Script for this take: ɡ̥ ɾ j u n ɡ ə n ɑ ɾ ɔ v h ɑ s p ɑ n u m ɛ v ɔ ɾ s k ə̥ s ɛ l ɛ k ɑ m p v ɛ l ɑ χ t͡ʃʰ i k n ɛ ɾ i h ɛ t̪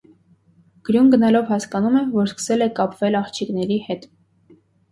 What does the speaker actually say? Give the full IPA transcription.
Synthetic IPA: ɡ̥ ɾ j u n ɡ ə n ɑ l ɔ v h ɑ s k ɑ n u m ɛ v ɔ ɾ s k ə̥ s ɛ l ɛ k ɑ p v ɛ l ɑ χ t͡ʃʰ i k n ɛ ɾ i h ɛ t̪